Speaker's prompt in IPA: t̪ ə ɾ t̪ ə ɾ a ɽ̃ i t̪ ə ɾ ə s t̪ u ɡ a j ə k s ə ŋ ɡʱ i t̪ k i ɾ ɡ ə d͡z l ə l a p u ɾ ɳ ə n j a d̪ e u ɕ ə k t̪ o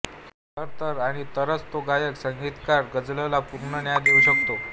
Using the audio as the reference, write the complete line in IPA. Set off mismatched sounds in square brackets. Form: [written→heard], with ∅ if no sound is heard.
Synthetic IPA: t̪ ə ɾ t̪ ə ɾ a ɽ̃ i t̪ ə ɾ ə [s→t͡s] t̪ [u→o] ɡ a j ə k s ə ŋ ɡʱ i t̪ k [i→a] ɾ ɡ ə d͡z l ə l a p u ɾ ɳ ə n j a d̪ e u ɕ ə k t̪ o